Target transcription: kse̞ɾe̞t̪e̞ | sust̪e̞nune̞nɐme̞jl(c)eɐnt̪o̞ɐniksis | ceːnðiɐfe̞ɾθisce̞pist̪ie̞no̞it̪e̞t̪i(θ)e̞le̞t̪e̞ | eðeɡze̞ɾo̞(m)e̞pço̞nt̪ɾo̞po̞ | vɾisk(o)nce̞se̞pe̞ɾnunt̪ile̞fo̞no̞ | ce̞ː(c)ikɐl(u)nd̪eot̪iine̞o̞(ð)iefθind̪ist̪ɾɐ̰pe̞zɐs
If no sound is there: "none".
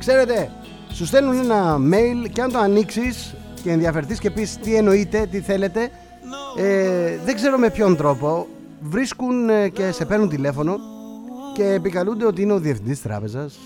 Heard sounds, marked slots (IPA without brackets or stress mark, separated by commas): c, θ, m, u, p, u, ð